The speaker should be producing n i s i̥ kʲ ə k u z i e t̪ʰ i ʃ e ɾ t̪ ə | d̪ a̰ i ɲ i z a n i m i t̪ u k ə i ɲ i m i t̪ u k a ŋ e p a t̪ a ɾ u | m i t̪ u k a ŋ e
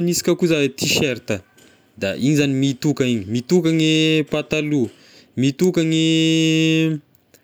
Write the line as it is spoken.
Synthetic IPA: n i s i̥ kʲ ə k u z a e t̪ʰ i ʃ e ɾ t̪ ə | d̪ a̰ i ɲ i z a n i m i t̪ u k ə i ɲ i m i t̪ u k a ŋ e p a t̪ a l u | m i t̪ u k a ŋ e